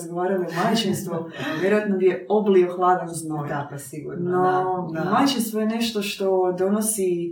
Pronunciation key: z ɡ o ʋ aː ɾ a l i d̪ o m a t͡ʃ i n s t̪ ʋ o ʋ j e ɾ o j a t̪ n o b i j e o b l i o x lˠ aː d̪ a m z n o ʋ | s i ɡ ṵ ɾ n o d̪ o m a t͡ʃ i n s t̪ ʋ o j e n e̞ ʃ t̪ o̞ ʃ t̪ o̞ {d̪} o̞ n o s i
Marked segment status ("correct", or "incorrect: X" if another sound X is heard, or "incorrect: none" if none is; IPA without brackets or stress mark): correct